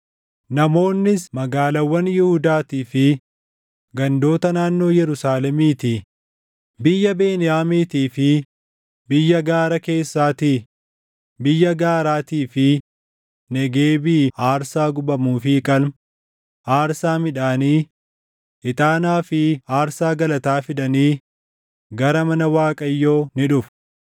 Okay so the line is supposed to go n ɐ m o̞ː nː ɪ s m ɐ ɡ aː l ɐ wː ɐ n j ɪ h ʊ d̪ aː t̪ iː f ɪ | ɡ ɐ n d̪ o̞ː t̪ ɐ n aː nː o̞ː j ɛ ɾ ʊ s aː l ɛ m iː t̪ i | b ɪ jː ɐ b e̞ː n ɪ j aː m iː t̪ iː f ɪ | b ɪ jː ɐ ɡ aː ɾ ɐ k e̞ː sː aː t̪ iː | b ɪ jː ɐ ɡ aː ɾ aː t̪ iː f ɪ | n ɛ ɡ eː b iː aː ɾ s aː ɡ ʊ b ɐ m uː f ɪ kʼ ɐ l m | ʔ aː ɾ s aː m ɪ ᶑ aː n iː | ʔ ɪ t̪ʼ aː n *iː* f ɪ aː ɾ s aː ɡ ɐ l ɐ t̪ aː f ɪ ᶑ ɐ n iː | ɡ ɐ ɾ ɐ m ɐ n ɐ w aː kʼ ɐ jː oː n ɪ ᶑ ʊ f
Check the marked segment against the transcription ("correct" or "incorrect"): incorrect